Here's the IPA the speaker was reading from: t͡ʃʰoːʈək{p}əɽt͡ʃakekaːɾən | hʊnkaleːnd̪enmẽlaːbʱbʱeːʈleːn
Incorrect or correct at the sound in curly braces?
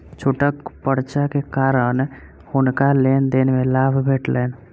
correct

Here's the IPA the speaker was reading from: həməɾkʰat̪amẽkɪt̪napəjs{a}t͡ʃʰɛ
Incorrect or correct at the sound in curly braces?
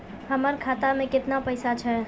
correct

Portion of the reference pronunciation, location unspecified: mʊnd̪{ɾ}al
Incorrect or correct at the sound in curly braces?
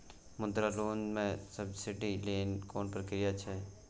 correct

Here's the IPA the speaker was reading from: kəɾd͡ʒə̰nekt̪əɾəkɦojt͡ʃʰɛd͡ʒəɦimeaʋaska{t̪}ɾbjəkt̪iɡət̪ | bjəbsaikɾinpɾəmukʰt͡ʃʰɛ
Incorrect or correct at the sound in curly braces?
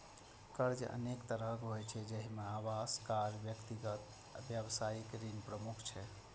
incorrect: none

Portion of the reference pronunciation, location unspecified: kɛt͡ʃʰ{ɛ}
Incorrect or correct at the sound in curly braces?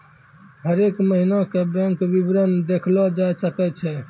correct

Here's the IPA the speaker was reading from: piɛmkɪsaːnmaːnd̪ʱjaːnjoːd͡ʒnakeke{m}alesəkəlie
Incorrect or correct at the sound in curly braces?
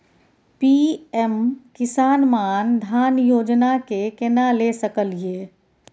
incorrect: n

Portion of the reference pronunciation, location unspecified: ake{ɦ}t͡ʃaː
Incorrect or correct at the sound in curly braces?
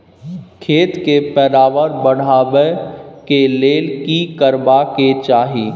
incorrect: none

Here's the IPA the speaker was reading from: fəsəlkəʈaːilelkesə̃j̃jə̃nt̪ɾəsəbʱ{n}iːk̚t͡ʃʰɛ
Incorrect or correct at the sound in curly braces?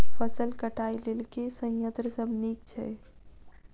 correct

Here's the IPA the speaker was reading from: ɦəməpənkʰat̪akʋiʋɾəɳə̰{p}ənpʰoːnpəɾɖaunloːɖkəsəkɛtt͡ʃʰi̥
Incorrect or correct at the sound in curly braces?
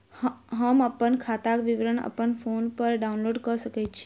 correct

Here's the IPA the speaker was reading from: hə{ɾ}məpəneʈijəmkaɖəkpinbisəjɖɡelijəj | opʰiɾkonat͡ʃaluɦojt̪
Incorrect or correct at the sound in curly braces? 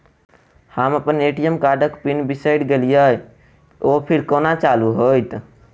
incorrect: none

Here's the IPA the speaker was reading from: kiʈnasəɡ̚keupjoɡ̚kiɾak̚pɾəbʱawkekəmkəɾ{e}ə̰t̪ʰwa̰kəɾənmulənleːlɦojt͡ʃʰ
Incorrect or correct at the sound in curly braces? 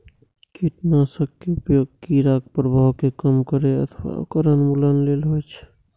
correct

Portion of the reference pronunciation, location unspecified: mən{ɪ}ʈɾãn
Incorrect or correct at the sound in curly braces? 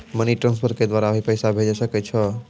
incorrect: i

